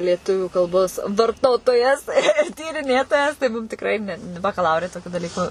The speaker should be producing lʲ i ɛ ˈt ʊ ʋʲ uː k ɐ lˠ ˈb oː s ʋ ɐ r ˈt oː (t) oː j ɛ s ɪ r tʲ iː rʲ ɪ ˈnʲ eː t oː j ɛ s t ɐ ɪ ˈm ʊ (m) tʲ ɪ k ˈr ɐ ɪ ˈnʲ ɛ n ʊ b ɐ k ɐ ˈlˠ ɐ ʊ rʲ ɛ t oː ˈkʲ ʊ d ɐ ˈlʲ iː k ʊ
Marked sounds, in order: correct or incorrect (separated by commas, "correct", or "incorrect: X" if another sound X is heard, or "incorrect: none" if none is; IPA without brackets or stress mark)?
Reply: correct, correct